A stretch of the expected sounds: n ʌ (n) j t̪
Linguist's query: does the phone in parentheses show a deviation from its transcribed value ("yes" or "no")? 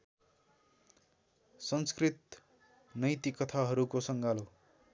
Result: yes